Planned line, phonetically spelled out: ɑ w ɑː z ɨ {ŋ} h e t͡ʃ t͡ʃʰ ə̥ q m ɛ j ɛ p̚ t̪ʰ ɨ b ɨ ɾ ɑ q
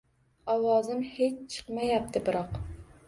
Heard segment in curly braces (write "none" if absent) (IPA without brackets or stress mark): m